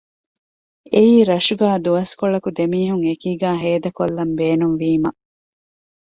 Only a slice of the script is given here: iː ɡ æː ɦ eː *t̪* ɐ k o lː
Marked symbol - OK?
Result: no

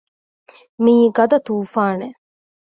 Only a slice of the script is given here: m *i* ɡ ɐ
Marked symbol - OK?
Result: no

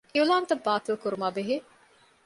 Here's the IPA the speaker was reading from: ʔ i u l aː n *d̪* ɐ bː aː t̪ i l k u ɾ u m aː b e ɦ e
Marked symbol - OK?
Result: no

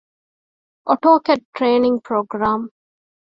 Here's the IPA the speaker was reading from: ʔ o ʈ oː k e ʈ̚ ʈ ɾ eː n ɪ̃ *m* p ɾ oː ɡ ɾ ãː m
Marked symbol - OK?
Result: no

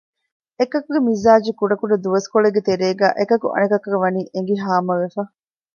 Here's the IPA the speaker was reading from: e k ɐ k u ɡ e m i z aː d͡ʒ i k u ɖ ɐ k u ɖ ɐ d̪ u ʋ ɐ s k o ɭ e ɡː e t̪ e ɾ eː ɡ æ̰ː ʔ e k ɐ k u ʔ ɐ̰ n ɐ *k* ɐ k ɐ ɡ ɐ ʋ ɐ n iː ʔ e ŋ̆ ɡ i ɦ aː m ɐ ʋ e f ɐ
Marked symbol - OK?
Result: yes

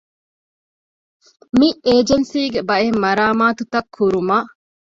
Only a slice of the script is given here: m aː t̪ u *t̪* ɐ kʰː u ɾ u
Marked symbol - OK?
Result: yes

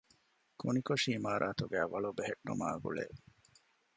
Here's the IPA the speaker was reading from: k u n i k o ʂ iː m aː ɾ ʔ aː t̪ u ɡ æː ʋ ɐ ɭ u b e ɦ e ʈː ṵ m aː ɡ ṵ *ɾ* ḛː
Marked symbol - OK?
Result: no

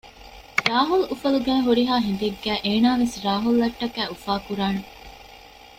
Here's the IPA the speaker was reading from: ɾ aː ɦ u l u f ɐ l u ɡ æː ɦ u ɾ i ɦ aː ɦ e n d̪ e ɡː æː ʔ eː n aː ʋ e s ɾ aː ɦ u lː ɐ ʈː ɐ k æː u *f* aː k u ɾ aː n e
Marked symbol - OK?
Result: yes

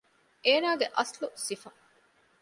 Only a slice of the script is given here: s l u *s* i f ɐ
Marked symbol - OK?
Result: yes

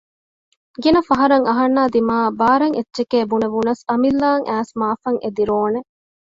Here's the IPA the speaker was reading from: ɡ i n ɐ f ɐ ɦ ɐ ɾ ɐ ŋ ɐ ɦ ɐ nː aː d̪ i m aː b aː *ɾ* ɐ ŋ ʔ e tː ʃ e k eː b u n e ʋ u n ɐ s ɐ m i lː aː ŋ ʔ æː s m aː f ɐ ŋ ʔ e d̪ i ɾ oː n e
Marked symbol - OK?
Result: yes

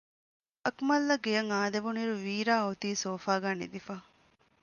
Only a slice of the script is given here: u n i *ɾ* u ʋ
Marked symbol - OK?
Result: yes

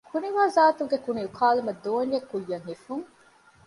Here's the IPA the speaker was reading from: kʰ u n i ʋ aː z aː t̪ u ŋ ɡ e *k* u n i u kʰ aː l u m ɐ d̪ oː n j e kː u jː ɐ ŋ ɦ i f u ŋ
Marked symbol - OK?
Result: yes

